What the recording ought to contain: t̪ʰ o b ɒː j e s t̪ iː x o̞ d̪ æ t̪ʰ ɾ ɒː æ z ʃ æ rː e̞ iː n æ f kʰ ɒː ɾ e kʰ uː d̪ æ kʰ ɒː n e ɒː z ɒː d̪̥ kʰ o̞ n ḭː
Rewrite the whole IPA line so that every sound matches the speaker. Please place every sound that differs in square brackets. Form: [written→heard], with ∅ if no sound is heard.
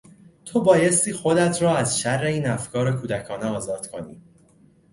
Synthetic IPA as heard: t̪ʰ o b ɒː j e s t̪ iː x o̞ d̪ æ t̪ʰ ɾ ɒː æ z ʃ æ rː e̞ iː n æ f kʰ ɒː ɾ e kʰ uː d̪ æ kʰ ɒː n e ɒː z ɒː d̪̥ kʰ o̞ n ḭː

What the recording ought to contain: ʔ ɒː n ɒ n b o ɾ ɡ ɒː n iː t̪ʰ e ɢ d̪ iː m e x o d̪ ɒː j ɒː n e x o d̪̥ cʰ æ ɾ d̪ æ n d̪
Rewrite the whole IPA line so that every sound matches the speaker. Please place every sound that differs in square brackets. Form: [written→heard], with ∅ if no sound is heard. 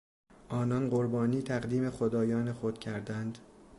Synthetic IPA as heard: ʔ ɒː n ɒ n [b→ɢ] o ɾ [ɡ→b] ɒː n iː t̪ʰ [e→æ] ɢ d̪ iː m e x o d̪ ɒː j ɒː n e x o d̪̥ cʰ æ ɾ d̪ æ n d̪

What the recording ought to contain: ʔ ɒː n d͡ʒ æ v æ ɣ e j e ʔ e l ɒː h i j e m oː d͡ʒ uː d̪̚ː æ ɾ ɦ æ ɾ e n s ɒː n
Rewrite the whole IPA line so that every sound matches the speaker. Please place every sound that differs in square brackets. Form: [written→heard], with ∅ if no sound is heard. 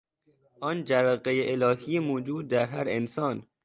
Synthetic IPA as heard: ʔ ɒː n d͡ʒ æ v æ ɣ e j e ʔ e l ɒː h i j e m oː d͡ʒ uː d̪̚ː æ ɾ ɦ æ ɾ e n s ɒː n

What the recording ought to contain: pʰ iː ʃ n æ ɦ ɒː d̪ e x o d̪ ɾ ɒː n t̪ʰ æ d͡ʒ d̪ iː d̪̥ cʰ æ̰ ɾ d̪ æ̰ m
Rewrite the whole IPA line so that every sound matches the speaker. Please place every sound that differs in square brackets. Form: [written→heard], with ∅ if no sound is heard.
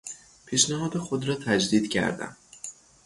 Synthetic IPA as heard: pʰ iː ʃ n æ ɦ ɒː d̪ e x o d̪ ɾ ɒː [n→∅] t̪ʰ æ d͡ʒ d̪ iː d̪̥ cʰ æ̰ ɾ d̪ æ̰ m

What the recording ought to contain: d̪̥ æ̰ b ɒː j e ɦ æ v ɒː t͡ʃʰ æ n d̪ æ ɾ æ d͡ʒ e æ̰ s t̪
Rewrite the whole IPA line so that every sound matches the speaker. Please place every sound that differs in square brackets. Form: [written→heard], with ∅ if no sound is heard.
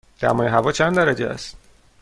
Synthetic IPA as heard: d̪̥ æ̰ [b→m] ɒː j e ɦ æ v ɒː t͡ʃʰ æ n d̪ æ ɾ æ d͡ʒ e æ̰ s t̪

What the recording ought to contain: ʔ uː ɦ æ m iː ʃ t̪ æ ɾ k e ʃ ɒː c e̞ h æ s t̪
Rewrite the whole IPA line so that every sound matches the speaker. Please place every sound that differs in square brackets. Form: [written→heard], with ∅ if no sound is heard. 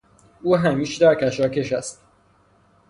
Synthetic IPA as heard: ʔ uː ɦ æ m iː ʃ [t̪→d̪] æ ɾ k [e→æ] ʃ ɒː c e̞ [h→ʃ] æ s t̪

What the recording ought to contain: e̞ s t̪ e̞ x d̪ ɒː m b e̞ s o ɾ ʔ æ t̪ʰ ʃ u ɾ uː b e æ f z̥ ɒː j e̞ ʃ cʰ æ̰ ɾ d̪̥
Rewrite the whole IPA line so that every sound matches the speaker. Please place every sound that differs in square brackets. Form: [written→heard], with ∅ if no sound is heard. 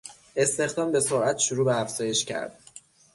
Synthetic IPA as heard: e̞ s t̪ e̞ x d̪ ɒː m b e̞ s o ɾ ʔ æ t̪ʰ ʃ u ɾ uː b e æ f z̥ ɒː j e̞ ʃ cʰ æ̰ ɾ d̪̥

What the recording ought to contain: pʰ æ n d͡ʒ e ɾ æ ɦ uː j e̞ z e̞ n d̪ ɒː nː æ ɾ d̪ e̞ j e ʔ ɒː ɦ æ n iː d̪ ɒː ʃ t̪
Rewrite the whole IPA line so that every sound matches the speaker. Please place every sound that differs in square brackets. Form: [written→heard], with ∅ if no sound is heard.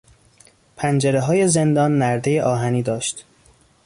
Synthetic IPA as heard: pʰ æ n d͡ʒ e ɾ [æ→e] ɦ [uː→ɒː] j e̞ z e̞ n d̪ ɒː nː æ ɾ d̪ e̞ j e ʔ ɒː ɦ æ n iː d̪ ɒː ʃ t̪

